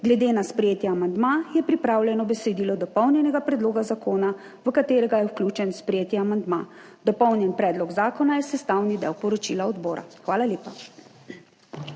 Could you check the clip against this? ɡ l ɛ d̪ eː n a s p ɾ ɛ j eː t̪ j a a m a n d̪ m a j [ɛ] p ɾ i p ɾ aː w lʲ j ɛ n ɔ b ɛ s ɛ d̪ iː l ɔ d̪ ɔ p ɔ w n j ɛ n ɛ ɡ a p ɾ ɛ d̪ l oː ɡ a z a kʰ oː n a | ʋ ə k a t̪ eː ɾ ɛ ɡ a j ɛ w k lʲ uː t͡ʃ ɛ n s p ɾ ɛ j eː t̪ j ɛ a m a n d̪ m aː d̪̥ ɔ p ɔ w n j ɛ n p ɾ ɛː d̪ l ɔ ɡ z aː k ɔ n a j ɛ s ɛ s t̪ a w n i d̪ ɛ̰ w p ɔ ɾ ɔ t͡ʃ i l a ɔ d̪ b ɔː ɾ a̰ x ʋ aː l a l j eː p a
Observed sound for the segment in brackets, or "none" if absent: ɛ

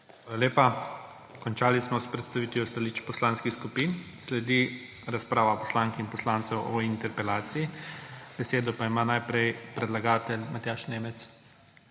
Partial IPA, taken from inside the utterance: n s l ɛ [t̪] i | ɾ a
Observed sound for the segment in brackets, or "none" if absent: d̪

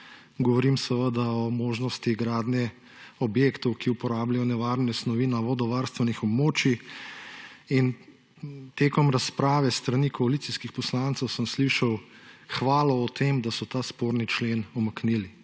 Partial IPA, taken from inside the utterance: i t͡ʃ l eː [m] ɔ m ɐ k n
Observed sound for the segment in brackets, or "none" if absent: n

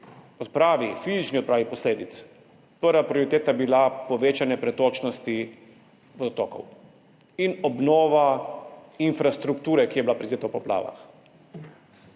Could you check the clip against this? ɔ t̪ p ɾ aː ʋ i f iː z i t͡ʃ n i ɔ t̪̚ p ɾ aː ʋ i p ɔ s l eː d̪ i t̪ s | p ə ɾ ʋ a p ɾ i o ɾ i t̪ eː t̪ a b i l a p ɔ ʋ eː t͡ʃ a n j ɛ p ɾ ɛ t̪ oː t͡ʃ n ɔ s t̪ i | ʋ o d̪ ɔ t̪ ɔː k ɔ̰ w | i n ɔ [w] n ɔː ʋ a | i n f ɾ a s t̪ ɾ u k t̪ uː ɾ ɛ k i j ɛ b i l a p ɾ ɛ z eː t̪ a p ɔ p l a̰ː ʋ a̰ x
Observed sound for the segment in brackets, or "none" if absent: b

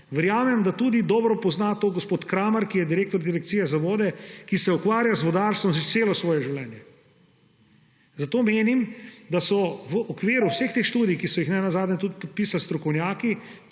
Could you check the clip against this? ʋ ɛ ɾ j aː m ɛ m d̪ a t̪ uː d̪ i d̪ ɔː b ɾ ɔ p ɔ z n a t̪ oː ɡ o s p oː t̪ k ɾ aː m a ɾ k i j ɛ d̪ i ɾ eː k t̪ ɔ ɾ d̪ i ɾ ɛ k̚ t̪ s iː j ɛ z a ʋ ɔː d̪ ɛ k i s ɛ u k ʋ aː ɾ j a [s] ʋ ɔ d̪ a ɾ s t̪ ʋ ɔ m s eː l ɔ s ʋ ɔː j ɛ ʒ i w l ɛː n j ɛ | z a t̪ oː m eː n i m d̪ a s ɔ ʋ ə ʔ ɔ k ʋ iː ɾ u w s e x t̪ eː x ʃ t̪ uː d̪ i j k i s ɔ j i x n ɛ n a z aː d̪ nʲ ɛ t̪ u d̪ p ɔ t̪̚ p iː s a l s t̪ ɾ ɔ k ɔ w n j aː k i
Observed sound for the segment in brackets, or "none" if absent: z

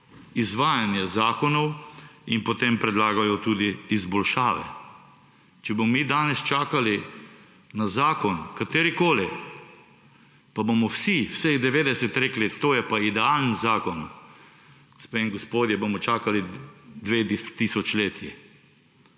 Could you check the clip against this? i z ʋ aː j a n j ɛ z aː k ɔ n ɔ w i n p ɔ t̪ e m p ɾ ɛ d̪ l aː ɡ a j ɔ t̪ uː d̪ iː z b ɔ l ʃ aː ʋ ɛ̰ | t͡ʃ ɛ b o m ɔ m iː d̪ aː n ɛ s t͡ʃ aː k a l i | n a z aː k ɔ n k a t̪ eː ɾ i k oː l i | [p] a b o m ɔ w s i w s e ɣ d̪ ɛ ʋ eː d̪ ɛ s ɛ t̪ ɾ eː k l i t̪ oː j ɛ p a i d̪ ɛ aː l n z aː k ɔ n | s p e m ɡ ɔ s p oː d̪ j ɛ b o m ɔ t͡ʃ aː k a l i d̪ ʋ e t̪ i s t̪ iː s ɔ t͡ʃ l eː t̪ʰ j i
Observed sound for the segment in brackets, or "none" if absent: p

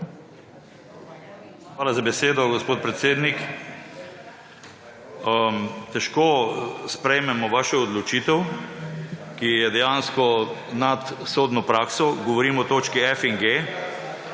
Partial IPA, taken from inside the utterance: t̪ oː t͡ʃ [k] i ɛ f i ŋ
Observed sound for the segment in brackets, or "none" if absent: k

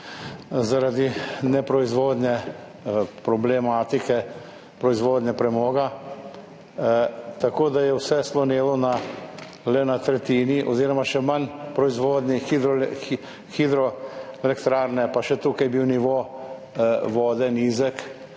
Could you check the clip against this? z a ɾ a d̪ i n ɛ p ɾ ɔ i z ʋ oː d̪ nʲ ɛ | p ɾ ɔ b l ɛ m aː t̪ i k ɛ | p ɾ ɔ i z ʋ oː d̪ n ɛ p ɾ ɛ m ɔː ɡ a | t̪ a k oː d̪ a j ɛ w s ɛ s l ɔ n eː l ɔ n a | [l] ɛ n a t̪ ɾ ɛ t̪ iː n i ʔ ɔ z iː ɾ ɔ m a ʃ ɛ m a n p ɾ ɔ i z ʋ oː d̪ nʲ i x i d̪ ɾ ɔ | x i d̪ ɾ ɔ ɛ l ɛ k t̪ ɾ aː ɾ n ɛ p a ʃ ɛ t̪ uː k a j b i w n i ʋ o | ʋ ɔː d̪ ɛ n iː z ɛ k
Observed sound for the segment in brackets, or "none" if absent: l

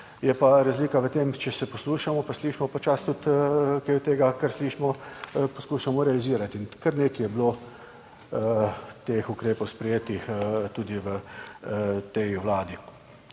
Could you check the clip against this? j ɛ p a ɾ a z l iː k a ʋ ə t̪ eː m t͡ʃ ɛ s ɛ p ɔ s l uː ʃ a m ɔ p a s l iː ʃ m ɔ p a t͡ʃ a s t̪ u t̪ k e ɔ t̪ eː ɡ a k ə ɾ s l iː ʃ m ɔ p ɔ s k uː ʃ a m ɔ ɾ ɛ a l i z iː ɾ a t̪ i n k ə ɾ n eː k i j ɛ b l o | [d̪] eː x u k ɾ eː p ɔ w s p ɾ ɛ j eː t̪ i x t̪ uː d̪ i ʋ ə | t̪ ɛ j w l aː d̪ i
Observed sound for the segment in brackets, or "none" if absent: t̪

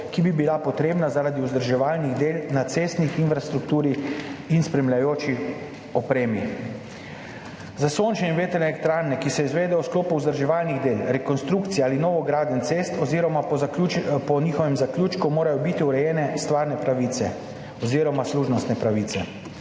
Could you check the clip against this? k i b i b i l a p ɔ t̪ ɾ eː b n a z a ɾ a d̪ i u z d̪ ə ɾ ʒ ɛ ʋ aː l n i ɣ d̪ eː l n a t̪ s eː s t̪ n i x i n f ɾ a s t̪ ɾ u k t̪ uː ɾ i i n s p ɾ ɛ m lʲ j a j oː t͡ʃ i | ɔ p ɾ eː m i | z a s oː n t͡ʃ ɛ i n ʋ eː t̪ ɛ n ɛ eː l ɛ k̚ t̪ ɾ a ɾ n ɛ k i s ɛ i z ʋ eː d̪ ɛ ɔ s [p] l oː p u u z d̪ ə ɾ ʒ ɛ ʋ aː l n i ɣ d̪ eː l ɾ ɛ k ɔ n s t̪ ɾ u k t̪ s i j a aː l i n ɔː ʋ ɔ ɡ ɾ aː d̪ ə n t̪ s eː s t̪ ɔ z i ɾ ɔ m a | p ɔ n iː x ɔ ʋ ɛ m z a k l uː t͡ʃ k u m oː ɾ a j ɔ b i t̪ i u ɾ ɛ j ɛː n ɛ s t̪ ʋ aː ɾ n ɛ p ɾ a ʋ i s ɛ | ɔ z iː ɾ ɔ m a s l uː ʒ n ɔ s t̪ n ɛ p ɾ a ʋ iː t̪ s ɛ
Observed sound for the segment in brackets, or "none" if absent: k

